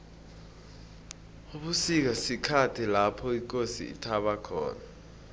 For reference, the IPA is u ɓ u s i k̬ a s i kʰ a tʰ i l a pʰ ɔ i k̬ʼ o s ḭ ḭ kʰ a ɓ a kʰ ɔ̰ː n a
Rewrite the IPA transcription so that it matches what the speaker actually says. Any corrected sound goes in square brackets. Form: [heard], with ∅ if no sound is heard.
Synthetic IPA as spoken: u ɓ u s i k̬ a s i kʰ a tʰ i l a pʰ ɔ i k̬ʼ o s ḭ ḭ [tʰ] a ɓ a kʰ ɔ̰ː n a